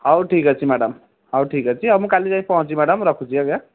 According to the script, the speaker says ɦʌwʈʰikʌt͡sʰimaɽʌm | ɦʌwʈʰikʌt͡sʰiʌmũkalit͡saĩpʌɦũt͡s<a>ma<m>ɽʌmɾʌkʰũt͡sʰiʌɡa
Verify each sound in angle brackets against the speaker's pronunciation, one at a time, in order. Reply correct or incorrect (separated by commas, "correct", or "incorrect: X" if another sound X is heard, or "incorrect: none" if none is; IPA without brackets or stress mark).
incorrect: i, incorrect: none